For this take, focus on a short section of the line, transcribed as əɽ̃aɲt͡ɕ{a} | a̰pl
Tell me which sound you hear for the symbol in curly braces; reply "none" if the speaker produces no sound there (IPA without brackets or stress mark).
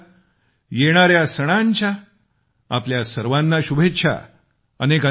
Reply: a